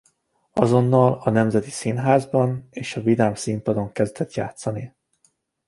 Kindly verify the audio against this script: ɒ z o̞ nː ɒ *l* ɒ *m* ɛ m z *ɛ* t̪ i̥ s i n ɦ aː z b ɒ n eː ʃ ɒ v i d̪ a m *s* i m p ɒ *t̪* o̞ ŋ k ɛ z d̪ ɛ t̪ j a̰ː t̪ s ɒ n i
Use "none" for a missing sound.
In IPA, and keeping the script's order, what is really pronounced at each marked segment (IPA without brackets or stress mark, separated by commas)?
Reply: l, n, ɛ, s, d̪